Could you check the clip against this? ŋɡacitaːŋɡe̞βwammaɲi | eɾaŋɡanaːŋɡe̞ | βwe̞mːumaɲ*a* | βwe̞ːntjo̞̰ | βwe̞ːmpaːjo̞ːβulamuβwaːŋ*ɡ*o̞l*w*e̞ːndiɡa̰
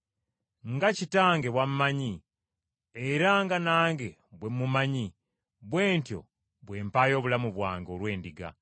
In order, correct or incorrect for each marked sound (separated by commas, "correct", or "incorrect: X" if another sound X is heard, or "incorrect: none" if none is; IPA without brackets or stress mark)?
incorrect: i, correct, correct